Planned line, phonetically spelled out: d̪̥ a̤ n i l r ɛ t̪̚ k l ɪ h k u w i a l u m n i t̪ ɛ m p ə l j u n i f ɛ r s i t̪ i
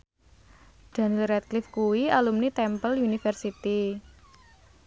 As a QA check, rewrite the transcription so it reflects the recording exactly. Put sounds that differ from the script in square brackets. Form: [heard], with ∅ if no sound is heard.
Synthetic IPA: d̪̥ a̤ n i l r ɛ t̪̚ k l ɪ [f] k u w i a l u m n i t̪ ɛ m p ə l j u n i f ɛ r s i t̪ i